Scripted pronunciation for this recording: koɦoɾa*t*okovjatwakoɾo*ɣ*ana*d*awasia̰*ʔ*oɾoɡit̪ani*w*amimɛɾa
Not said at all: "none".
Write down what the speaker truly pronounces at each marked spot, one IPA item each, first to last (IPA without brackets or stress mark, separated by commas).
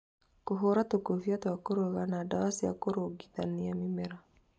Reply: t, ɣ, d, k, none